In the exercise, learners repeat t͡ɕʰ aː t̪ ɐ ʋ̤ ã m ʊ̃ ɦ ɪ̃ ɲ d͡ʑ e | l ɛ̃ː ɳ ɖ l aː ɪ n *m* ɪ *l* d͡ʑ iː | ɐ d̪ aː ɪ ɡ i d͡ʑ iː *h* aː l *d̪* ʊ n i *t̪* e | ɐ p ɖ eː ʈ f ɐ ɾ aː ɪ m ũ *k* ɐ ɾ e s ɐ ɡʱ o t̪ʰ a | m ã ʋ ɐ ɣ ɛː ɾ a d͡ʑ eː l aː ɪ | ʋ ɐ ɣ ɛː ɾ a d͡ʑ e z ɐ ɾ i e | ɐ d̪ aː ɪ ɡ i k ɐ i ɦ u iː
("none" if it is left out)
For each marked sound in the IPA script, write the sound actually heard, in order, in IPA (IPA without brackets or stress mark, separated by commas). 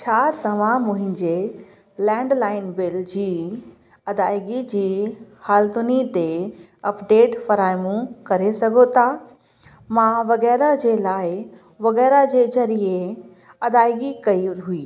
b, l, h, t̪, t̪, k